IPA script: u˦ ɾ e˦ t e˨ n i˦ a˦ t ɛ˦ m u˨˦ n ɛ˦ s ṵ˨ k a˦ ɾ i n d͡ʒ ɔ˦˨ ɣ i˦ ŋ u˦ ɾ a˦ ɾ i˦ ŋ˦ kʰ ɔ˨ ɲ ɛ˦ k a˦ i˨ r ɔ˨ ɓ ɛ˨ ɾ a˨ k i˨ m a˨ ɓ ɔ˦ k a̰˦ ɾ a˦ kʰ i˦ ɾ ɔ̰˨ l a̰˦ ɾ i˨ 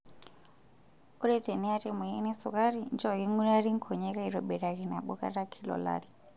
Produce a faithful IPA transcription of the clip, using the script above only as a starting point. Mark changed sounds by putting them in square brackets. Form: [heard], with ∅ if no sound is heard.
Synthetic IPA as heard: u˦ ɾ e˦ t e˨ n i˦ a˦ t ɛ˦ m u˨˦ n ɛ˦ s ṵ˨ k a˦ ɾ i n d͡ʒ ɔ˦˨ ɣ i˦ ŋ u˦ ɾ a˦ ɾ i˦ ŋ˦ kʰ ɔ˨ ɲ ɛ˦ k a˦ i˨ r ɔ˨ ɓ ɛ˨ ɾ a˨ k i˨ [n] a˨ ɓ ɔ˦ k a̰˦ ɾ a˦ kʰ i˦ [l] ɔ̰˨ l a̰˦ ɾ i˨